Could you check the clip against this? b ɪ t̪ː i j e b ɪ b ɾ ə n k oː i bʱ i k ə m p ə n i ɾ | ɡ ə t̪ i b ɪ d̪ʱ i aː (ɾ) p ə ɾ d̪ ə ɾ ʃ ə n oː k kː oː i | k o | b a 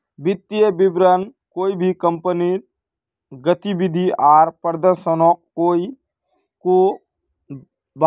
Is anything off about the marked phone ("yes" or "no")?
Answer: no